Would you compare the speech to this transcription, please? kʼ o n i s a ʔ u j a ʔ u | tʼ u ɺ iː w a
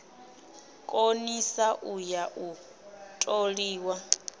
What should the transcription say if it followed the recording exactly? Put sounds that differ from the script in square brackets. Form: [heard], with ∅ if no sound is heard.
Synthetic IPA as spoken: kʼ o n i s a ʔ u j a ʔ u | tʼ [o] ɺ iː w a